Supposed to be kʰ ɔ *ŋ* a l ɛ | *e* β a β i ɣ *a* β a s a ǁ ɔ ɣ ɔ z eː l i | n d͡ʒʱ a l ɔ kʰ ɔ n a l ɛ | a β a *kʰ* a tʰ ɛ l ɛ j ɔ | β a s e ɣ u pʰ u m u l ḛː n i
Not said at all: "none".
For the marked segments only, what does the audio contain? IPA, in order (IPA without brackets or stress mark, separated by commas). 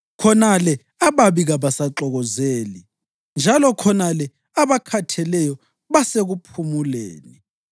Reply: n, a, a, kʰ